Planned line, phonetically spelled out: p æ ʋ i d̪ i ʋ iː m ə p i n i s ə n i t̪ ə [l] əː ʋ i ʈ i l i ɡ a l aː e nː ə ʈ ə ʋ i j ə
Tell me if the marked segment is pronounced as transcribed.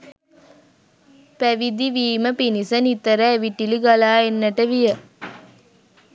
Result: no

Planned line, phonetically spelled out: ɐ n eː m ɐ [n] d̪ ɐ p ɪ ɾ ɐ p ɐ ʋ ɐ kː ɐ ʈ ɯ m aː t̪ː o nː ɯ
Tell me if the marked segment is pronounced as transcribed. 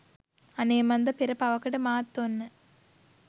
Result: yes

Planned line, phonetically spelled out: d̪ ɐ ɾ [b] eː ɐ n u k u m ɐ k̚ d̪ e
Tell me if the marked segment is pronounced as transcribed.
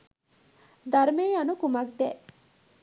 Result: no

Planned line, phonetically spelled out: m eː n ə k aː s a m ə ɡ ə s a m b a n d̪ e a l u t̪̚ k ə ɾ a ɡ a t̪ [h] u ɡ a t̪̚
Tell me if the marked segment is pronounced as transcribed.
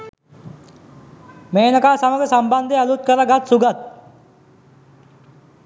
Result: no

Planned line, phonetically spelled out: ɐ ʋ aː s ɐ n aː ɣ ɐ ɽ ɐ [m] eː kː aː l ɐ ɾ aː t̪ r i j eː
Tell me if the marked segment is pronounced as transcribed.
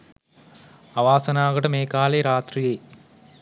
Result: yes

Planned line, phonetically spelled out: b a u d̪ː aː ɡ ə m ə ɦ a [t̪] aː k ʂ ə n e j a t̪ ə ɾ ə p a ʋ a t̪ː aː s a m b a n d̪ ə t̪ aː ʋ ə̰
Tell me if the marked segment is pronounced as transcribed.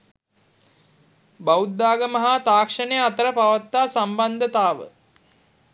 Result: yes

